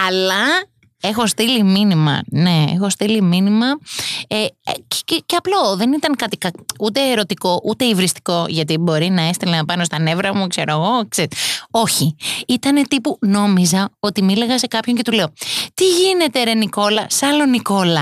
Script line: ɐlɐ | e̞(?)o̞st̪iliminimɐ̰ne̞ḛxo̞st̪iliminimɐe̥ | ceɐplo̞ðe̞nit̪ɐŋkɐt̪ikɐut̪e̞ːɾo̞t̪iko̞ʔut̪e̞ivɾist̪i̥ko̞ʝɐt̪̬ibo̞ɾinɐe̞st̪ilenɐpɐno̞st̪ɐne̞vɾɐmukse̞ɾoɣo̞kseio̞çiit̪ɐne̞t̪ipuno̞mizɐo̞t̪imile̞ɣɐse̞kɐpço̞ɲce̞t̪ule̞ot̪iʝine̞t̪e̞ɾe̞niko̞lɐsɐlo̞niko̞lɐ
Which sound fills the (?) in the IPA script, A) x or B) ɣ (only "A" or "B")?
A